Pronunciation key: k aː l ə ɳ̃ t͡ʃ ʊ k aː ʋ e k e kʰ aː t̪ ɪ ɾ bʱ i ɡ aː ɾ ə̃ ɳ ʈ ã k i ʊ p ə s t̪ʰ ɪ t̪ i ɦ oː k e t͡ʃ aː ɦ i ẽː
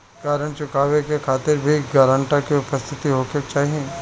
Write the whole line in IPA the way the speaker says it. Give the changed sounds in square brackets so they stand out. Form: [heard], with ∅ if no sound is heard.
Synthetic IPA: k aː [ɾ] ə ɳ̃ t͡ʃ ʊ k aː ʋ e k e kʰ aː t̪ ɪ ɾ bʱ i ɡ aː ɾ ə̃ ɳ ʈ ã k i ʊ p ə s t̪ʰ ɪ t̪ i ɦ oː k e t͡ʃ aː ɦ i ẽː